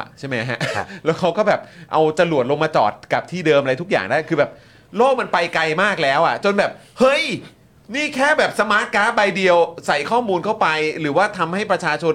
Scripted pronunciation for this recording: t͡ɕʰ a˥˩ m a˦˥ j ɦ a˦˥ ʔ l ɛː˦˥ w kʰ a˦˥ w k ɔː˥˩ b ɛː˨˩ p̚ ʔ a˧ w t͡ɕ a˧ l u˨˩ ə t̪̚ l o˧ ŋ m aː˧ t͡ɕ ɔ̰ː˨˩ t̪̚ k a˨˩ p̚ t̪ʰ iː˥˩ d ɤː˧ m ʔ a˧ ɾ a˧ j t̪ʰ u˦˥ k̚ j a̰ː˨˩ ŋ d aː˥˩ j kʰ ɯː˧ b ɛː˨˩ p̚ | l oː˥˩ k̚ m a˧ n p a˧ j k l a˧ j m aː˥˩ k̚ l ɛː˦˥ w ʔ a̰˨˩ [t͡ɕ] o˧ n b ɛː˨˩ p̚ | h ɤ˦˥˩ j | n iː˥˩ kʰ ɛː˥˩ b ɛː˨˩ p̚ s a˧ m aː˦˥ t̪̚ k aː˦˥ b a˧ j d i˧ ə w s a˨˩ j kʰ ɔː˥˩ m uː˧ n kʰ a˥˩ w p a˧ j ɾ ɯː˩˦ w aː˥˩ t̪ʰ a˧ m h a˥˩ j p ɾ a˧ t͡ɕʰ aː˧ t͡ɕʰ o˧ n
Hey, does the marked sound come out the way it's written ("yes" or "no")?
yes